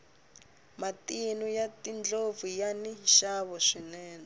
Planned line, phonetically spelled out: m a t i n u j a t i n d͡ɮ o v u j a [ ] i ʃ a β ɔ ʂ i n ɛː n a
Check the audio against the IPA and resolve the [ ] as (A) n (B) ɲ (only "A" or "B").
A